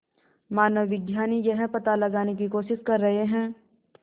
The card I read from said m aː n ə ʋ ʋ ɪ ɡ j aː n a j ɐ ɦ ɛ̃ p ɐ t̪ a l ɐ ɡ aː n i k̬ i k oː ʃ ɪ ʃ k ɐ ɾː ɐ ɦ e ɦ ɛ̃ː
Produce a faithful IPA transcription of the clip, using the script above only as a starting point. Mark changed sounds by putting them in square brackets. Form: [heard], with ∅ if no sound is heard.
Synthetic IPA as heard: m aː n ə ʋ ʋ ɪ ɡ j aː n [i] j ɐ ɦ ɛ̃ p ɐ t̪ a l ɐ ɡ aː n [e] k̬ i k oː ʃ ɪ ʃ k ɐ ɾː ɐ ɦ e ɦ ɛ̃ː